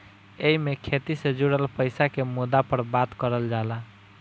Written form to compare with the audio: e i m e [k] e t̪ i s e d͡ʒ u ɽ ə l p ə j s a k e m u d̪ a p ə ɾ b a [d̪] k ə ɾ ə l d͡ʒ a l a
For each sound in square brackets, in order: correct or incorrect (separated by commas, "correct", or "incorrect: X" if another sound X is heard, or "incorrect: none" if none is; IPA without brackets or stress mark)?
incorrect: kʰ, incorrect: t̪